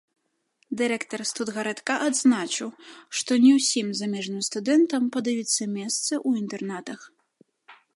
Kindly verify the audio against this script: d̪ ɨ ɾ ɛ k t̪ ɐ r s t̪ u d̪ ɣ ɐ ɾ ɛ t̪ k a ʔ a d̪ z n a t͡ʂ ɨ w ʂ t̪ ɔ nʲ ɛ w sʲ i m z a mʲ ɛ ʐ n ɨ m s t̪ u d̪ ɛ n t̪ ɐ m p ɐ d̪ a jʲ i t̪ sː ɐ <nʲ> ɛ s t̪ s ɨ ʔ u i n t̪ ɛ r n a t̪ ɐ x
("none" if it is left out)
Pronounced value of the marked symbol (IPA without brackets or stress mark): mʲ